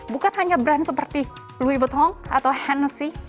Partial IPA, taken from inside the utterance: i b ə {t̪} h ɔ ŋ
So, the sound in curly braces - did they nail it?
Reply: yes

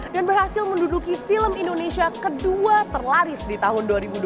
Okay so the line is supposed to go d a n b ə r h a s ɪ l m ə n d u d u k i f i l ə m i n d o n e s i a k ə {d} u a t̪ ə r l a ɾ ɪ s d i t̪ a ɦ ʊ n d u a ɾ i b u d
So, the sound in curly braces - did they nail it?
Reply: yes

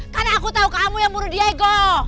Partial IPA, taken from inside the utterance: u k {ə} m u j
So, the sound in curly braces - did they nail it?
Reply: no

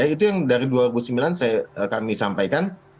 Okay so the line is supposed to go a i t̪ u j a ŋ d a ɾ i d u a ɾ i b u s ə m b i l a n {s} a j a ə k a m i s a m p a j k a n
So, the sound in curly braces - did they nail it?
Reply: yes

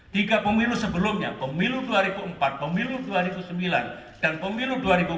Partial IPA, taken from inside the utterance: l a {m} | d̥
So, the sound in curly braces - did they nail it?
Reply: no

